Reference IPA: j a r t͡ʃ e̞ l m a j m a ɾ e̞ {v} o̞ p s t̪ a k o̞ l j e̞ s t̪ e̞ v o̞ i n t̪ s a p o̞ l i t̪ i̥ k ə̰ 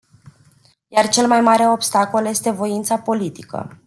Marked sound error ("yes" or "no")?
yes